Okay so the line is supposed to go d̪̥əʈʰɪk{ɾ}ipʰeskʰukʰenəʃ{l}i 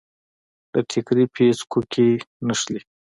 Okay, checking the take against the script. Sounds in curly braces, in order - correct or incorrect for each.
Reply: correct, correct

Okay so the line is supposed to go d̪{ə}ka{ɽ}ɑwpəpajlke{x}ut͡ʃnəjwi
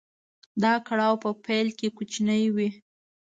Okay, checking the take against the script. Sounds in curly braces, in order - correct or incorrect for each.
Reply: incorrect, correct, incorrect

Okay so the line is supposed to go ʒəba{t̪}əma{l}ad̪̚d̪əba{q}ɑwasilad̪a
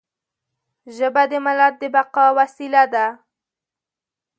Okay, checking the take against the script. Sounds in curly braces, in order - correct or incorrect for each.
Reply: incorrect, correct, correct

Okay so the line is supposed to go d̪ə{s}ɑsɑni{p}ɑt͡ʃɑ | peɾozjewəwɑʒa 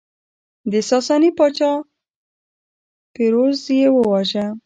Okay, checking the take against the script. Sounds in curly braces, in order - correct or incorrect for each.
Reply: correct, correct

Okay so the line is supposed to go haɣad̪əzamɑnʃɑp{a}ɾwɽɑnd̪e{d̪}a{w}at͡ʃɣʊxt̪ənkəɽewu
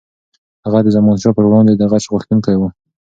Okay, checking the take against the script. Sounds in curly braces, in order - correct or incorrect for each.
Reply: incorrect, correct, incorrect

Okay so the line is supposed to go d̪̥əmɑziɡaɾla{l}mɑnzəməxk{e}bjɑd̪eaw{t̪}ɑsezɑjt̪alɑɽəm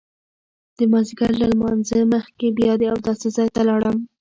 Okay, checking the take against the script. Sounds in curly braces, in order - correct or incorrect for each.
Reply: correct, correct, incorrect

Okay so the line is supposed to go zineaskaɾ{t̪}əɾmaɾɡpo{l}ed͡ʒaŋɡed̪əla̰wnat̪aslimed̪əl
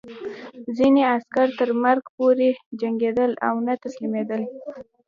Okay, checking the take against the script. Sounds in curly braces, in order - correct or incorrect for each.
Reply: correct, incorrect

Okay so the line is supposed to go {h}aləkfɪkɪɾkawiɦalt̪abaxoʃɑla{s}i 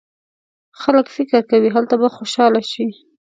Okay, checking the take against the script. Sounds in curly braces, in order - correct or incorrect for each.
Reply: incorrect, incorrect

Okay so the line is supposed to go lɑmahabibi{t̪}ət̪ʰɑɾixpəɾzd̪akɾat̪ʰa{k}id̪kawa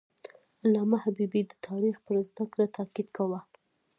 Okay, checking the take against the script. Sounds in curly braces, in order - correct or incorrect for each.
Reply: incorrect, correct

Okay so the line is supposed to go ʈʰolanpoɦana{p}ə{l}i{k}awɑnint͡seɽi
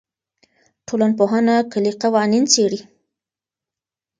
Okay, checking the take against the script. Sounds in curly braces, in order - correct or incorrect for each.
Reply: incorrect, correct, incorrect

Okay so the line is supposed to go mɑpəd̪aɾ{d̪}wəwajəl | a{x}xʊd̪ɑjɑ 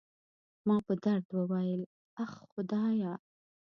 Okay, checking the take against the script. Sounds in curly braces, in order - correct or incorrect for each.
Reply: correct, correct

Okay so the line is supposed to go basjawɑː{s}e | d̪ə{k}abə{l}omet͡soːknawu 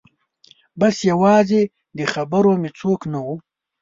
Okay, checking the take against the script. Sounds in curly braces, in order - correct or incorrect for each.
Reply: incorrect, incorrect, incorrect

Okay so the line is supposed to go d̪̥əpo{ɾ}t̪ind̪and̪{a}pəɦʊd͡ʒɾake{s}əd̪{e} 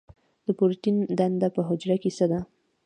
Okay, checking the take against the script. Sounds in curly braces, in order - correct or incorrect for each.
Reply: correct, correct, correct, incorrect

